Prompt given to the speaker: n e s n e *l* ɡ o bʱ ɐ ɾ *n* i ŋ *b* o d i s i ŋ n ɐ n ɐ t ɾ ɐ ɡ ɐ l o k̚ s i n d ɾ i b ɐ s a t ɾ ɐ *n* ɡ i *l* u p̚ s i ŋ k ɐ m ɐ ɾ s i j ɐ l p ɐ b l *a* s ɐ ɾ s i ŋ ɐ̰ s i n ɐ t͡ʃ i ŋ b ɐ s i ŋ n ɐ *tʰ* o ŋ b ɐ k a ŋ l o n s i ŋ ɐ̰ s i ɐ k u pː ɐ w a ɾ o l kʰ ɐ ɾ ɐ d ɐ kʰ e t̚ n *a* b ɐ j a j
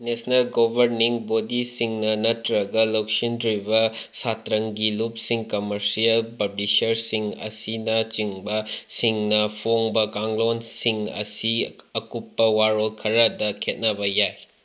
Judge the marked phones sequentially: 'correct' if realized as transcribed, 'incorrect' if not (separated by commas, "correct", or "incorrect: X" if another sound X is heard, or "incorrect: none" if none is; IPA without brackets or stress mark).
correct, correct, correct, incorrect: ŋ, correct, incorrect: i, incorrect: pʰ, incorrect: ɐ